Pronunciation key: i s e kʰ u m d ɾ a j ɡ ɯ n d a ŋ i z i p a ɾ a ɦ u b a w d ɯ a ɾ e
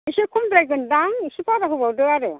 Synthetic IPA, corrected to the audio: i s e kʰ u m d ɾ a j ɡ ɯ n d a ŋ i s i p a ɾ a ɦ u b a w d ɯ a ɾ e